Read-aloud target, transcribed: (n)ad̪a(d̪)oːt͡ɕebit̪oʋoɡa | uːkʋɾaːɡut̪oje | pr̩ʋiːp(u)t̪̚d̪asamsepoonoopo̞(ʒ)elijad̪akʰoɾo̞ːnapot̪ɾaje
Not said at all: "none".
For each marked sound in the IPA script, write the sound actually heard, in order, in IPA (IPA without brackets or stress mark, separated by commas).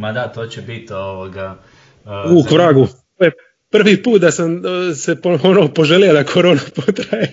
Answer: m, t̪, uː, ʒ